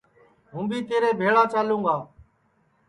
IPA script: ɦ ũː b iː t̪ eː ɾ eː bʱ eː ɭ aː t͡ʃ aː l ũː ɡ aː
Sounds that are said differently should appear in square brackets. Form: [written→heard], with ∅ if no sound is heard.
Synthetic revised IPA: ɦ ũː b iː t̪ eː ɾ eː bʱ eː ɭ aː t͡ʃ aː l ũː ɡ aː